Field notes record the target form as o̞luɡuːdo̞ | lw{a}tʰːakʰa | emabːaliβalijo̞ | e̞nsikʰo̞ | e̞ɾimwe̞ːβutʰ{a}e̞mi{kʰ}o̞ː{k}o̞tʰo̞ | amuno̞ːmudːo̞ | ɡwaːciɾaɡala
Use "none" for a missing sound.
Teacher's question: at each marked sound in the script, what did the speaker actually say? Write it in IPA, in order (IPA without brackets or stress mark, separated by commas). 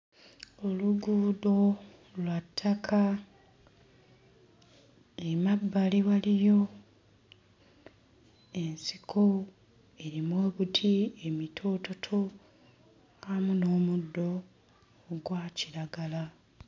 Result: a, i, tʰ, t